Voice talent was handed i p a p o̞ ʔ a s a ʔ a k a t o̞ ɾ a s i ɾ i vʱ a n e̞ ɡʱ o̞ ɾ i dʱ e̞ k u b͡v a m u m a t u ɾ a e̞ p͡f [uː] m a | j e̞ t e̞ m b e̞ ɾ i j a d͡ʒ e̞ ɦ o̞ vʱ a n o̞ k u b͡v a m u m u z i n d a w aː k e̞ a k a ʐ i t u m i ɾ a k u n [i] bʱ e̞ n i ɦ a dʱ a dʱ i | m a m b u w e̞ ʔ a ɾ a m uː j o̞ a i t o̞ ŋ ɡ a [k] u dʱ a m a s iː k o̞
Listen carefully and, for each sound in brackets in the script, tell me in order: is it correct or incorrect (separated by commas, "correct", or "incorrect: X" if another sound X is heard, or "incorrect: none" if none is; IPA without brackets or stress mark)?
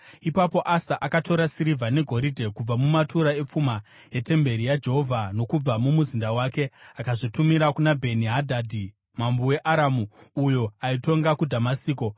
incorrect: u, incorrect: a, correct